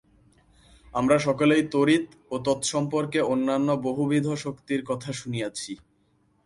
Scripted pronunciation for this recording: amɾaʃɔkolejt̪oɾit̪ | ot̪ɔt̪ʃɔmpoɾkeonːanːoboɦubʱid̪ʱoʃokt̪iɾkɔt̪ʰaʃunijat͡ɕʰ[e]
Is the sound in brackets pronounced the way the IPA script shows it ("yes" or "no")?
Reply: no